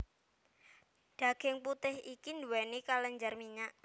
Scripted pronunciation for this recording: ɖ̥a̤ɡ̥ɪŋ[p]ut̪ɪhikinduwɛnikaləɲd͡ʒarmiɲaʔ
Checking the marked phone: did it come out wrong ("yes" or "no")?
no